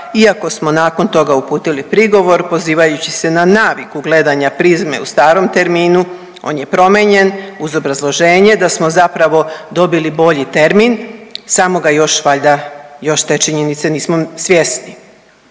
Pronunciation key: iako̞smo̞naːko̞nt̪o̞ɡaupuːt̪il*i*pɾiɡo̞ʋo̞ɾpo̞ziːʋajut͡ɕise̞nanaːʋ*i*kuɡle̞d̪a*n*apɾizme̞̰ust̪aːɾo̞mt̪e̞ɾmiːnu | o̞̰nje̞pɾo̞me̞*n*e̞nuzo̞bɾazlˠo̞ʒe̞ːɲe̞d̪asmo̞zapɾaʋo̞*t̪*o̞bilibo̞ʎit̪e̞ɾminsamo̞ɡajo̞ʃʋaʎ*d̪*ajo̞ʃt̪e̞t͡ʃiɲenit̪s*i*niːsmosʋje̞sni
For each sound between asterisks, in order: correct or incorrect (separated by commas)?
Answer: correct, correct, incorrect, incorrect, incorrect, correct, incorrect